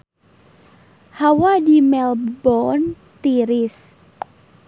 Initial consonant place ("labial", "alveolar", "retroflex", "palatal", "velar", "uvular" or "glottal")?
glottal